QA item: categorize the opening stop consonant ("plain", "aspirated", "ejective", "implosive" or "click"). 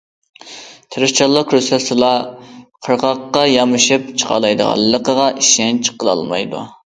aspirated